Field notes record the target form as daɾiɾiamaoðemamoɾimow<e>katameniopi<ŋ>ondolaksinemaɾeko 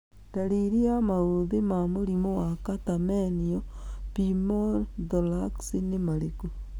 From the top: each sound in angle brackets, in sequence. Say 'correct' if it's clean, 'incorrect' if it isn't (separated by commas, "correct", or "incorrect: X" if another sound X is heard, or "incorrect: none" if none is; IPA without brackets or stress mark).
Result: incorrect: a, incorrect: m